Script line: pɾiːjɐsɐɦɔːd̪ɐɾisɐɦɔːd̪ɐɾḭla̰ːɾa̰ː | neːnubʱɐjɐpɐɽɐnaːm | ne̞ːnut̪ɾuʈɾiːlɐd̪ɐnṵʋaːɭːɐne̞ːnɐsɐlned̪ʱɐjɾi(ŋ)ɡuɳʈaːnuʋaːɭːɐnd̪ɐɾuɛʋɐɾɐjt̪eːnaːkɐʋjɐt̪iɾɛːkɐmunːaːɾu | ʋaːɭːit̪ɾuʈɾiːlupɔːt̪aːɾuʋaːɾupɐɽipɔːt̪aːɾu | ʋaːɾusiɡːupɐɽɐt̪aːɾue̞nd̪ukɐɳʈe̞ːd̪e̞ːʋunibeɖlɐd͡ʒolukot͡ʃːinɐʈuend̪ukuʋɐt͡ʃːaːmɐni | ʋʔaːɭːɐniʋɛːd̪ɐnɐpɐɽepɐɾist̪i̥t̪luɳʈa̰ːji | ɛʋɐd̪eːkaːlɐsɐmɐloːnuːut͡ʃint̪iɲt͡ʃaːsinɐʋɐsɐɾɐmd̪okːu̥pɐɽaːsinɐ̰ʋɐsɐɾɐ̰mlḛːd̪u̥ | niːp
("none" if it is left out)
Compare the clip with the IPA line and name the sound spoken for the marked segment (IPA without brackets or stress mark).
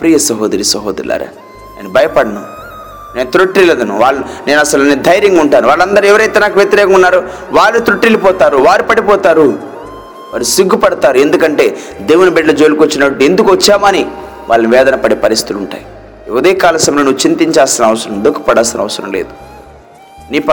ŋ